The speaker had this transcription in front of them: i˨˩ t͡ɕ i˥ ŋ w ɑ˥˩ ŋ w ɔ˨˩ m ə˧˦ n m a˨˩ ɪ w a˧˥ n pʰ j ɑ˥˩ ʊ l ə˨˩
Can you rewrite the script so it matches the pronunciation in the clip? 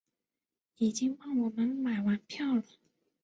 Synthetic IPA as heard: i˨˩ t͡ɕ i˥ ŋ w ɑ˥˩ ŋ w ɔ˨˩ m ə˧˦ n m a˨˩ ɪ w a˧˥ n pʰ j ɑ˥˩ ʊ l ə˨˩